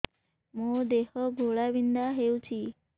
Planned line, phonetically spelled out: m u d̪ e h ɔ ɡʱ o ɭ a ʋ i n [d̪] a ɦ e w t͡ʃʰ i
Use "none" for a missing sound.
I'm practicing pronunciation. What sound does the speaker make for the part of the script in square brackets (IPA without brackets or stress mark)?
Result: d̪